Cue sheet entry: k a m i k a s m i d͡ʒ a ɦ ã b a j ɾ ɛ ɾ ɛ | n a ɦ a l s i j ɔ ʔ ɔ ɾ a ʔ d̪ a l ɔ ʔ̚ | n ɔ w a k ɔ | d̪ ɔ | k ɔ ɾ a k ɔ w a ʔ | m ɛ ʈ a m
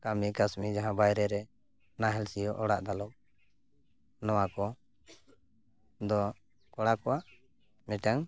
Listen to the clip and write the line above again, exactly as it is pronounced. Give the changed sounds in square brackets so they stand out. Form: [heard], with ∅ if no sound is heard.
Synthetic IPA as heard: k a m i k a s m i d͡ʒ a ɦ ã b a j ɾ ɛ ɾ ɛ | n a ɦ [ɛ] l s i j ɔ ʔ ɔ [ɽ] a ʔ d̪ a l ɔ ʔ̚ | n ɔ w a k ɔ | d̪ ɔ | k ɔ [ɽ] a k ɔ w a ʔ | m ɛ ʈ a [ŋ]